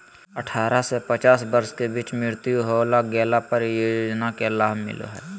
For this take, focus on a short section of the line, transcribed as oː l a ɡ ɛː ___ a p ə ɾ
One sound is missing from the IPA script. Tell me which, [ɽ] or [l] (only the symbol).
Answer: l